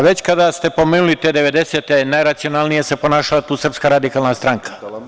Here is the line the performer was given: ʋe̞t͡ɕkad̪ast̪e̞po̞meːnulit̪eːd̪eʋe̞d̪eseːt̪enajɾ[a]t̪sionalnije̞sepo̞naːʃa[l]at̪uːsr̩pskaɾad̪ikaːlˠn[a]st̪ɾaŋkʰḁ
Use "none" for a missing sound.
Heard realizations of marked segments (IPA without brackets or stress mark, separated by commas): a, l, a